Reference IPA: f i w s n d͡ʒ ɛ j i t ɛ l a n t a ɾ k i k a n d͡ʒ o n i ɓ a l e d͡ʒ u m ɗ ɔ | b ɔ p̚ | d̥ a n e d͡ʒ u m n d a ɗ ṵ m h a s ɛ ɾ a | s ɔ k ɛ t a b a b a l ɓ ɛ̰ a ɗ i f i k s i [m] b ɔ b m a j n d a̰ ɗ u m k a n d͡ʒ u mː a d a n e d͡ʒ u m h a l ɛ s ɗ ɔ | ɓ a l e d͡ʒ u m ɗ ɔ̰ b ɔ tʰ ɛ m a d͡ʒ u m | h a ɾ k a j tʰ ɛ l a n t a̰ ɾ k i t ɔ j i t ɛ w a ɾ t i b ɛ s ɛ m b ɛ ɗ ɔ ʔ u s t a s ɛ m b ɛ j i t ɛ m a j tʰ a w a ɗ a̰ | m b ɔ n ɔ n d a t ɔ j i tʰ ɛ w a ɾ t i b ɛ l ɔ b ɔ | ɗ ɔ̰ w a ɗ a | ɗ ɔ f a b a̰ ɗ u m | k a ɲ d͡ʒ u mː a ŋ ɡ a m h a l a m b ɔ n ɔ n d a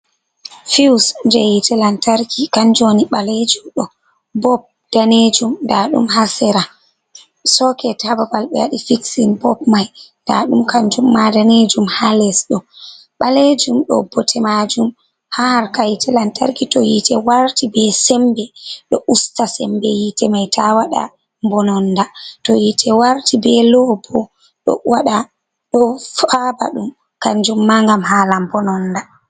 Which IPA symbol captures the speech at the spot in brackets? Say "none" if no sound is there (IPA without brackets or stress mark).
n